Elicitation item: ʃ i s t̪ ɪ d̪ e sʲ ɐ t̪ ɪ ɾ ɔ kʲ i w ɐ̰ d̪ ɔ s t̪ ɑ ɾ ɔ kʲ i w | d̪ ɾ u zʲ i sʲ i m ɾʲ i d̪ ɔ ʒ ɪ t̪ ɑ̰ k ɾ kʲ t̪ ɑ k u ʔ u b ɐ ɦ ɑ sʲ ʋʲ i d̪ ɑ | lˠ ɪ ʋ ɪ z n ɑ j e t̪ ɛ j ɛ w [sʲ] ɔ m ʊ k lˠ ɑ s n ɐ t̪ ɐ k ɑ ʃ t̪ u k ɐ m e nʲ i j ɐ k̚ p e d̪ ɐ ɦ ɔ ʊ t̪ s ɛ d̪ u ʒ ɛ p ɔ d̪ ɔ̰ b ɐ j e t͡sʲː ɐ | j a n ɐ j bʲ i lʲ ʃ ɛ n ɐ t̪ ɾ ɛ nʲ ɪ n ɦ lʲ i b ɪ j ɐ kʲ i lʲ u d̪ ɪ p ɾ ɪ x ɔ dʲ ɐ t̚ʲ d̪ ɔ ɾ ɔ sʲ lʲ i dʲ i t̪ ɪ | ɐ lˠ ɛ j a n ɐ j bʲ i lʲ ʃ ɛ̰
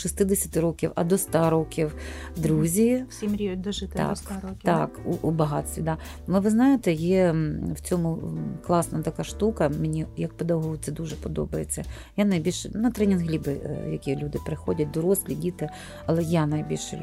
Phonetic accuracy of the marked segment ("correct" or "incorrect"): incorrect